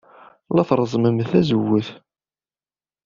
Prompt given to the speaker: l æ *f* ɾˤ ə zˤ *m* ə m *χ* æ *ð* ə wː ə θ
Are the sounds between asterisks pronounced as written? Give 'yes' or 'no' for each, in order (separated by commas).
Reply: no, yes, no, no